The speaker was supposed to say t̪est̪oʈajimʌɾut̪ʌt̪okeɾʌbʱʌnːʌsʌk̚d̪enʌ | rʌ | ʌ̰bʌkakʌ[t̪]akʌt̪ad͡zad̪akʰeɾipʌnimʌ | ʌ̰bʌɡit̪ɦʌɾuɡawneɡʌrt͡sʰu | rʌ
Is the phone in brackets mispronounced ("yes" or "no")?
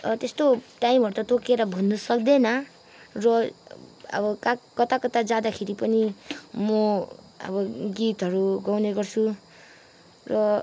no